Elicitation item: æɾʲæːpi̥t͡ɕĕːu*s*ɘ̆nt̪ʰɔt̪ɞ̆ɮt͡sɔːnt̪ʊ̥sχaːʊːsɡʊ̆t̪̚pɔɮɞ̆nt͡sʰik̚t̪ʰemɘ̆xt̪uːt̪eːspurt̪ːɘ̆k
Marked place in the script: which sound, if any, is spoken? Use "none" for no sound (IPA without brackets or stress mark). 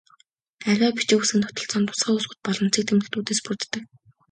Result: s